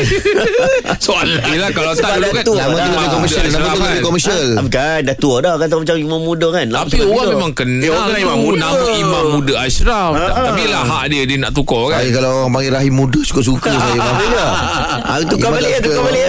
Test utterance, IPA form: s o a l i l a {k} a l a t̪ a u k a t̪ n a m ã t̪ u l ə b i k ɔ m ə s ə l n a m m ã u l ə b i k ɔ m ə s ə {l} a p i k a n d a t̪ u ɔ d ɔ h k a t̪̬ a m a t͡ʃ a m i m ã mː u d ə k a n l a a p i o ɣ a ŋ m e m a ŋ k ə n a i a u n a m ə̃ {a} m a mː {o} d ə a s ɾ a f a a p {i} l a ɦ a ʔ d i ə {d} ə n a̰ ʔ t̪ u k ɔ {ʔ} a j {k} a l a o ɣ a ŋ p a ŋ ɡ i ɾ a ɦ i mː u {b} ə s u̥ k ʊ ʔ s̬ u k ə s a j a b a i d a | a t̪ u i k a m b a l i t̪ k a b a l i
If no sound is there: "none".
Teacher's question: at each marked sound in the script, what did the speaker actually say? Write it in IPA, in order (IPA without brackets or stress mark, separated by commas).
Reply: k, l, i, u, i, d, k, k, d